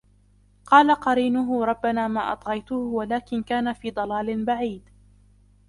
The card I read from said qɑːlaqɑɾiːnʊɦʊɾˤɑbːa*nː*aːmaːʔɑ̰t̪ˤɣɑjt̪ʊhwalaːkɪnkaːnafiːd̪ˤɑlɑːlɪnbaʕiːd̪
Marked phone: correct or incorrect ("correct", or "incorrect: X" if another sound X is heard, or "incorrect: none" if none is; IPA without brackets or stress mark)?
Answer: incorrect: n